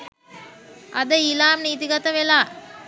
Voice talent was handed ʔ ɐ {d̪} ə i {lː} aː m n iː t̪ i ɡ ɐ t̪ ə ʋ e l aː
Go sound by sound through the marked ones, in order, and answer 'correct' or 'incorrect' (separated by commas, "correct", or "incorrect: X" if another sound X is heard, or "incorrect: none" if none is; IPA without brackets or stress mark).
correct, incorrect: l